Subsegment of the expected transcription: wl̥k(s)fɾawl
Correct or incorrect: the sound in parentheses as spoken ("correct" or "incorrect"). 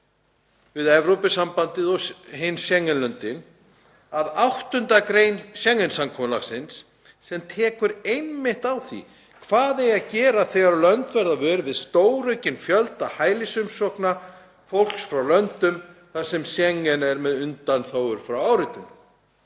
correct